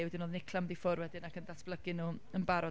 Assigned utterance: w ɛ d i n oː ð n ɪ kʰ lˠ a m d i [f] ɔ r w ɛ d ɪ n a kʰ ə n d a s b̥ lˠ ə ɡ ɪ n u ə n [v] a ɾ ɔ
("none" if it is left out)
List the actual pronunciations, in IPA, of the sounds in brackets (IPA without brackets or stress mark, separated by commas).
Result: f, b